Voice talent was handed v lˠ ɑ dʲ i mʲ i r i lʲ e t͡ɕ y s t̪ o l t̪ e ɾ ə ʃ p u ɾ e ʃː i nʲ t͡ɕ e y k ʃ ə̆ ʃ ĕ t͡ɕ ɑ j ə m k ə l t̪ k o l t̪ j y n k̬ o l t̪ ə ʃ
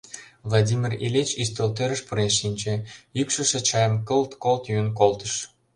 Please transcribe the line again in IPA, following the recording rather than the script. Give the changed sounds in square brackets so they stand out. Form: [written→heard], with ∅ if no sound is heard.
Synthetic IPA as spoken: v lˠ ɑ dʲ i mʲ i r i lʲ e t͡ɕ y s t̪ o l t̪ e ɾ ə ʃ p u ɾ e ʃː i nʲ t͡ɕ e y k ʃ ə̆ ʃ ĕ t͡ɕ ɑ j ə m k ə l t̪ k o l t̪ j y n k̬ o l t̪ ə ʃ

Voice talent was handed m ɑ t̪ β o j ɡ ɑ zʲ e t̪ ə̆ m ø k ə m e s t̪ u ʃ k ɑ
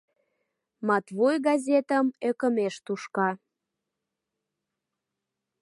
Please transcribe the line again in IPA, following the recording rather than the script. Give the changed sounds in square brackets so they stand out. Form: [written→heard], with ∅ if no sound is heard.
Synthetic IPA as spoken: m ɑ t̪ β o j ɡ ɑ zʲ e t̪ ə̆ m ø k ə m e [s→ʃ] t̪ u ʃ k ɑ

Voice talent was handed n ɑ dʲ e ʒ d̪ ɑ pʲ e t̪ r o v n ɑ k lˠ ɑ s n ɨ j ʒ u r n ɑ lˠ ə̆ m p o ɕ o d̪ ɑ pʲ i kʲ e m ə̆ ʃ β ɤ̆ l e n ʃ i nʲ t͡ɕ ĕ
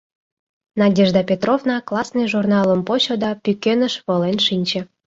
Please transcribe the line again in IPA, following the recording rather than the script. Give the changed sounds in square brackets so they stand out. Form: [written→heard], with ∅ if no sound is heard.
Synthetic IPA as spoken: n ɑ dʲ e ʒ d̪ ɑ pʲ e t̪ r o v n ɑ k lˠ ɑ s n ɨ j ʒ u r n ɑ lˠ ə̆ m p o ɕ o d̪ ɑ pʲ [i→y] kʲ e [m→n] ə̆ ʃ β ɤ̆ l e n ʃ i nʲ t͡ɕ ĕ

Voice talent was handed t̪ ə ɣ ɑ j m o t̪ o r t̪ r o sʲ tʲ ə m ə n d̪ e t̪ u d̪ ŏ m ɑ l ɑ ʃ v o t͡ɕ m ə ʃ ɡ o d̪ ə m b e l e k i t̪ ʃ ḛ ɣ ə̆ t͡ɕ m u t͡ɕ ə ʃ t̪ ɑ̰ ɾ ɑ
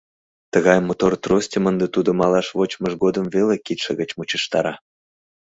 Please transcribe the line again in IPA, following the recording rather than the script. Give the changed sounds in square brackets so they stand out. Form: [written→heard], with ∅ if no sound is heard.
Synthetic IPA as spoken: t̪ ə ɣ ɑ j m o t̪ o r t̪ r o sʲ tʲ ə m ə n d̪ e t̪ u d̪ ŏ m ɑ l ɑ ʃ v o t͡ɕ m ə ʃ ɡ o d̪ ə m [b→v] e l e k i t̪ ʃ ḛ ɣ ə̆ t͡ɕ m u t͡ɕ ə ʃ t̪ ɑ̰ ɾ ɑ

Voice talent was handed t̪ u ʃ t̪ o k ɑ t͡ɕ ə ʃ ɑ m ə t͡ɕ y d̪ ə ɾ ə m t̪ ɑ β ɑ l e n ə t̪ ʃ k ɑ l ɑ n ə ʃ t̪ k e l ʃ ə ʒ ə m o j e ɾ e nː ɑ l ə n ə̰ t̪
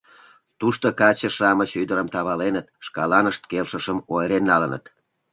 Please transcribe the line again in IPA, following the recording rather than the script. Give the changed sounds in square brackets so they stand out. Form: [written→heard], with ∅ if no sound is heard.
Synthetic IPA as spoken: t̪ u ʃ t̪ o k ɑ t͡ɕ ə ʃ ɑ m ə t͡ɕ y d̪ ə ɾ ə m t̪ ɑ β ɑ l e n ə t̪ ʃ k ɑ l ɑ n ə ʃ t̪ k e l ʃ ə [ʒ→ʃ] ə m o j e ɾ e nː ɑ l ə n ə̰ t̪

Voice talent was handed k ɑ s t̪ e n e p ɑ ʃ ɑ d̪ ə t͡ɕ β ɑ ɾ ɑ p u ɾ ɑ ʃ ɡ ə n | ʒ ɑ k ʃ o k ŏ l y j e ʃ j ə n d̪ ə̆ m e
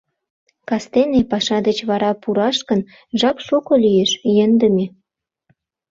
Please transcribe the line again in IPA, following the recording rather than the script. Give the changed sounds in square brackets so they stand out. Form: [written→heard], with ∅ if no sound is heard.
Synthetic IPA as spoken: k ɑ s t̪ e n e p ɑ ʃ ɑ d̪ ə t͡ɕ β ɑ ɾ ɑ p u ɾ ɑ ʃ [ɡ→k] ə n | ʒ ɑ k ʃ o k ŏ l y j e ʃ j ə n d̪ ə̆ m e

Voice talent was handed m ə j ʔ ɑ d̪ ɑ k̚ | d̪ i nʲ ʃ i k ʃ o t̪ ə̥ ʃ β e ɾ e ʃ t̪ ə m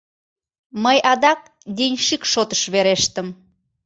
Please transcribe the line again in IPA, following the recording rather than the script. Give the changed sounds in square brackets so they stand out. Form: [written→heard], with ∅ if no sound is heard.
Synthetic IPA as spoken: m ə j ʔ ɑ d̪ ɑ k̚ | d̪ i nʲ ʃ i k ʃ o t̪ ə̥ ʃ β e ɾ e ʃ t̪ ə m

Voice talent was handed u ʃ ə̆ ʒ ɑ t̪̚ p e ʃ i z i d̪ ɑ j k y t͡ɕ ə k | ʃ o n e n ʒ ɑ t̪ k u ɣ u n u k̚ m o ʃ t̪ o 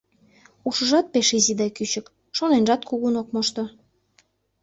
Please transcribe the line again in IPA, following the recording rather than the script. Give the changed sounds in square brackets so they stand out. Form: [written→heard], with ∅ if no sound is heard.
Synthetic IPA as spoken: u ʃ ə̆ ʒ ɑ t̪̚ p e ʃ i z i d̪ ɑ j k y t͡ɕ ə k | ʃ o n e n ʒ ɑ t̪ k u ɣ u n [u→o] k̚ m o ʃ t̪ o

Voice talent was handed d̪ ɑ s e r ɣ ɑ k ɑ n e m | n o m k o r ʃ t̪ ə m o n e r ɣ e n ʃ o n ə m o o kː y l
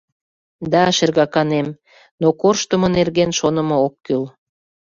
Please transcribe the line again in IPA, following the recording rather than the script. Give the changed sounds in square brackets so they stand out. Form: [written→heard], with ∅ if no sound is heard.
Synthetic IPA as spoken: d̪ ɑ [s→ʃ] e r ɣ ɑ k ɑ n e m | n o [m→∅] k o r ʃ t̪ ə m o n e r ɣ e n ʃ o n ə m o o kː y l

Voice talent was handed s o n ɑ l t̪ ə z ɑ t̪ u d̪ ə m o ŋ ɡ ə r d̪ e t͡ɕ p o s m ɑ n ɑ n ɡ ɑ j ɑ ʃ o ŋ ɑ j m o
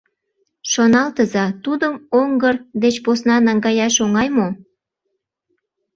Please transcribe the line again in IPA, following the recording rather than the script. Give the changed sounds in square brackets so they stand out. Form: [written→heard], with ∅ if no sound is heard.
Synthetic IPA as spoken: [s→ʃ] o n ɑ l t̪ ə z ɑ t̪ u d̪ ə m o ŋ ɡ ə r d̪ e t͡ɕ p o s [m→n] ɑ n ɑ [n→ŋ] ɡ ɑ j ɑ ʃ o ŋ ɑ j m o

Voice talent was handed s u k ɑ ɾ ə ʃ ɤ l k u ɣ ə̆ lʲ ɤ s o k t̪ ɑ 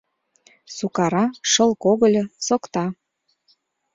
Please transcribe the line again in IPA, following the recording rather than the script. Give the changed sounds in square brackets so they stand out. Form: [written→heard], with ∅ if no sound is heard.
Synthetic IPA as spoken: s u k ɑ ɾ [ə→ɑ] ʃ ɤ l k [u→o] ɣ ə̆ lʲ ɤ s o k t̪ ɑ

